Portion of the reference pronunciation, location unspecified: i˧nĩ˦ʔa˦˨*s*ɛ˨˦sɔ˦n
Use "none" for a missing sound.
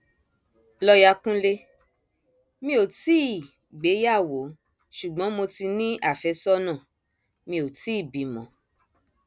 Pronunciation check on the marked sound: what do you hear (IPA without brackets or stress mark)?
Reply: f